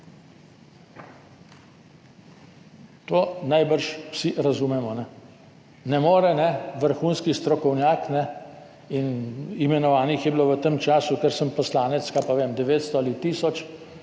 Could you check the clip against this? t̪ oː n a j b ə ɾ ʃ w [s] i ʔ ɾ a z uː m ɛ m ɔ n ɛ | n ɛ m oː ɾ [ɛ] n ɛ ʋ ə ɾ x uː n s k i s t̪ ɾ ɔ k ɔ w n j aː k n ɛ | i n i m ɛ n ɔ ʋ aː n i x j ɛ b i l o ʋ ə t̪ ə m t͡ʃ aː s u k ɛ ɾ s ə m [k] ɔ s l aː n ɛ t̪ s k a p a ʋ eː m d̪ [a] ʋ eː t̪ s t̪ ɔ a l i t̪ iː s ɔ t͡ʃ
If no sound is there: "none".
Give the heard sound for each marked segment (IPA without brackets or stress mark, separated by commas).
s, ɛ, p, ɛ